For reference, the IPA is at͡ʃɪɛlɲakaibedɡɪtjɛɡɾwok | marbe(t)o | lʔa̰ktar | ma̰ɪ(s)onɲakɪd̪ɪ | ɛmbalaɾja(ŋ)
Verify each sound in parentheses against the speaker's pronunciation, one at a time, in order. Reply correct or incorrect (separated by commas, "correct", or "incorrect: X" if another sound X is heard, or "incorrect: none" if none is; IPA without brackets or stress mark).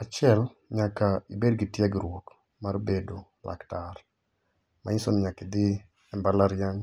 incorrect: d, correct, correct